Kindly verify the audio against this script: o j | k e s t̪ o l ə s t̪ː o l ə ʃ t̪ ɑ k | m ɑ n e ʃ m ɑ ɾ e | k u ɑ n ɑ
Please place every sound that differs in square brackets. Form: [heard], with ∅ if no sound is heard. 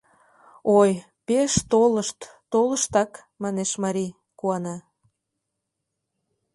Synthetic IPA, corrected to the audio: o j | [p] e [ʃ] t̪ o l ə [ʃ] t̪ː o l ə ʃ t̪ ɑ k | m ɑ n e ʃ m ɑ ɾ [i] | k u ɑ n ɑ